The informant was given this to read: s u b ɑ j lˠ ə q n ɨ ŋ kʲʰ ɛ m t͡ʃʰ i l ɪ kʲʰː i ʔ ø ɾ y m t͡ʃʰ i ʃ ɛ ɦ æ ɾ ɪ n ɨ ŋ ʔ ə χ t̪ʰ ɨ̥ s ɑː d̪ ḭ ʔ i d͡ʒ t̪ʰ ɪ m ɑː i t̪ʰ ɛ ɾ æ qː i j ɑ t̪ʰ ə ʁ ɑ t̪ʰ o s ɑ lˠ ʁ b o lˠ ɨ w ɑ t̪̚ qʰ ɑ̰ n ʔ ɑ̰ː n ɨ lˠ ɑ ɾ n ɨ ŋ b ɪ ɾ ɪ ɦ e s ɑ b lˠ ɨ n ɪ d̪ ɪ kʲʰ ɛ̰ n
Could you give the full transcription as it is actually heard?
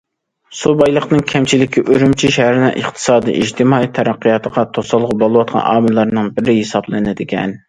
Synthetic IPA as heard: s u b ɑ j lˠ ə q n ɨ ŋ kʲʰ ɛ m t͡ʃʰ i l ɪ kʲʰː i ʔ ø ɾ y m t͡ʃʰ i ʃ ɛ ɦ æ ɾ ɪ n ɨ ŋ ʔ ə χ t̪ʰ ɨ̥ s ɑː d̪ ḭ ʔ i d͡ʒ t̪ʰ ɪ m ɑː i t̪ʰ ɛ ɾ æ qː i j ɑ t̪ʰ ə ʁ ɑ t̪ʰ o s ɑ lˠ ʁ b o lˠ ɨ w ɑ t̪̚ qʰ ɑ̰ n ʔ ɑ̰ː m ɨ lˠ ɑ ɾ n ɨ ŋ b ɪ ɾ ɪ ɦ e s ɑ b lˠ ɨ n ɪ d̪ ɪ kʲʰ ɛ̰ n